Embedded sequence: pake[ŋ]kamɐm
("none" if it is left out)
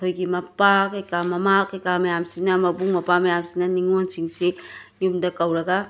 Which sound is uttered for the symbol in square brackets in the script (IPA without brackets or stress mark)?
none